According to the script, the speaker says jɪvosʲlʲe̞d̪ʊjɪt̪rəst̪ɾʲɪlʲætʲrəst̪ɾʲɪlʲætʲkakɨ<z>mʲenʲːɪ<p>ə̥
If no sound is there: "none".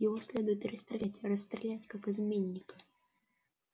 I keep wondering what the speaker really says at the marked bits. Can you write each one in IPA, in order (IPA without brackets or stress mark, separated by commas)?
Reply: z, k